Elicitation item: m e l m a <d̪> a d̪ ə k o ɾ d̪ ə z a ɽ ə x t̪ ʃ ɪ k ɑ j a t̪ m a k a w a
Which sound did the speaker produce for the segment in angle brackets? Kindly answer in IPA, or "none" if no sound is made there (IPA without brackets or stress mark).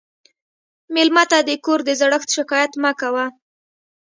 t̪